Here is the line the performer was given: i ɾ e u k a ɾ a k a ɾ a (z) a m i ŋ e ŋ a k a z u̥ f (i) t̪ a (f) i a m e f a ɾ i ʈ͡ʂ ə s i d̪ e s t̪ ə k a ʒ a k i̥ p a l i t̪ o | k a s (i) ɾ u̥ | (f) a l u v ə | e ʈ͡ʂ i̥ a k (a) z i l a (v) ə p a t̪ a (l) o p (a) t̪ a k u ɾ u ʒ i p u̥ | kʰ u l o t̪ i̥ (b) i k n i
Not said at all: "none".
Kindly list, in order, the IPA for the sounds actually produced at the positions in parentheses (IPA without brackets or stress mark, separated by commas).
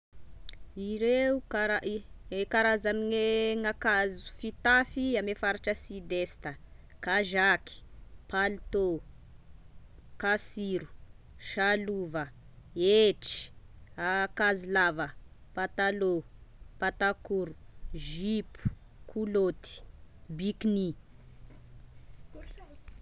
z, i, f, i, ʃ, a, v, l, a, b